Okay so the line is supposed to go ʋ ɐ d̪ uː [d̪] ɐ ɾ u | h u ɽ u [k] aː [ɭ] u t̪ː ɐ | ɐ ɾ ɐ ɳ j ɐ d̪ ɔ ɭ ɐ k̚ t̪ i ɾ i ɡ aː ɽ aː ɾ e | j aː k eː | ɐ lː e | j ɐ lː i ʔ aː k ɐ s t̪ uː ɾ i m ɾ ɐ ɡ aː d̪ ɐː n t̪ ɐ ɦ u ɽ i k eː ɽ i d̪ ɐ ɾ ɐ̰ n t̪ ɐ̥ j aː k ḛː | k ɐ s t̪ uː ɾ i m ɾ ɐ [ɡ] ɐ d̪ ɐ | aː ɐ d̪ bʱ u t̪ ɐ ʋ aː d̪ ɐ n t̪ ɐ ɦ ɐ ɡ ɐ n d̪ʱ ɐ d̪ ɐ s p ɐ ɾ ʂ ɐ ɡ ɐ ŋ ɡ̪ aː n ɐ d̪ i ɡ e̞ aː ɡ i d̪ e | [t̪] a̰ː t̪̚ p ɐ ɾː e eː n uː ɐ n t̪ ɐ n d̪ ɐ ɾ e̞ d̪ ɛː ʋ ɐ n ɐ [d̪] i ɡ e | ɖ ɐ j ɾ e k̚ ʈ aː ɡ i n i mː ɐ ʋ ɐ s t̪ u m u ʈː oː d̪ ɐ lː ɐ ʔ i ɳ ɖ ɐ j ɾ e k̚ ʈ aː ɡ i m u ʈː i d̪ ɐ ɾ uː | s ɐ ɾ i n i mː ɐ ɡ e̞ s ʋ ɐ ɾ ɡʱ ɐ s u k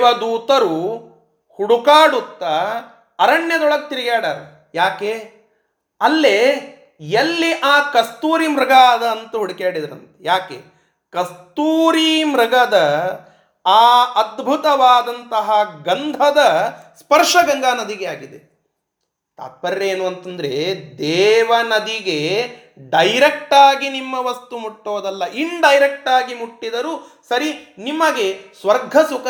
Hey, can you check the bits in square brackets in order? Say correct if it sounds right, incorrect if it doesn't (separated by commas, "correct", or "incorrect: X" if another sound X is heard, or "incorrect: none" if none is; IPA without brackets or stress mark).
incorrect: t̪, correct, incorrect: ɽ, correct, correct, correct